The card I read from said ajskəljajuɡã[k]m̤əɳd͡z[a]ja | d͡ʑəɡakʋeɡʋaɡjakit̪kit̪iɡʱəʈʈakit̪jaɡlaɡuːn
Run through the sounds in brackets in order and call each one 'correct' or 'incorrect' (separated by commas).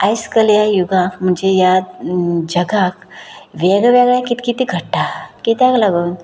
correct, incorrect